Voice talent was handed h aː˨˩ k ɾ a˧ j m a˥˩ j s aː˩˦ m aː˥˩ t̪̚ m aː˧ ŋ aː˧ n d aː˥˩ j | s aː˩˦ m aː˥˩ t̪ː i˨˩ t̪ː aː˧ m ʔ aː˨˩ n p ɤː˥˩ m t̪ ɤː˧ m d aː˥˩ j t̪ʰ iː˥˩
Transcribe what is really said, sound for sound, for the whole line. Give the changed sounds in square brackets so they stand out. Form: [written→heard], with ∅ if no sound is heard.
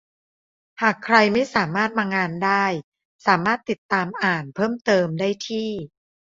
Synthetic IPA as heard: h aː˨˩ [k→kʰ] ɾ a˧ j m a˥˩ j s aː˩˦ m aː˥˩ t̪̚ m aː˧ ŋ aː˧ n d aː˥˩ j | s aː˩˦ m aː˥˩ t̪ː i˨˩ t̪ː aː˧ m ʔ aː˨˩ n [p→pʰ] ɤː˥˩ m t̪ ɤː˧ m d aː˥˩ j t̪ʰ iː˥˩